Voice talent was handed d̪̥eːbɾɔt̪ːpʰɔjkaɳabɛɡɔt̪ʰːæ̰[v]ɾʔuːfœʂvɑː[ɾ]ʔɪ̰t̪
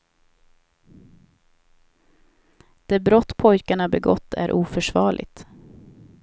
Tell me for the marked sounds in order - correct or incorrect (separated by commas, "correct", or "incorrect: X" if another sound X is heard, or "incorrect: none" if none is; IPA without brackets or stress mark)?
incorrect: none, incorrect: ɭ